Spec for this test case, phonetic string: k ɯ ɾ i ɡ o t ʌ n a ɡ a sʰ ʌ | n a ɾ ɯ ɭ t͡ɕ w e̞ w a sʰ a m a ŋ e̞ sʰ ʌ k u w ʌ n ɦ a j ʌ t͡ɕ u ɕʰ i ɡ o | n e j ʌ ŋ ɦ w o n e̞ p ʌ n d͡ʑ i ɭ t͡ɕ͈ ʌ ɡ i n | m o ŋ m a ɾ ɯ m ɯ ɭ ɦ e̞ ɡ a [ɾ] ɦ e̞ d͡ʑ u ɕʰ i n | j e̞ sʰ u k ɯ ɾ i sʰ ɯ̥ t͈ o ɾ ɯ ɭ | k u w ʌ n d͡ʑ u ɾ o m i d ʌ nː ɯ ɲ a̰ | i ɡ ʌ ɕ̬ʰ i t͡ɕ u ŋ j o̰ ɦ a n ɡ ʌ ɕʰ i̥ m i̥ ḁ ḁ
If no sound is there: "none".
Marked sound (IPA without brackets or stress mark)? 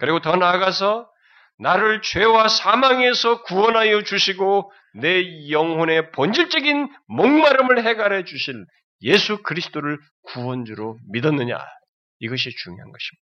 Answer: ɾ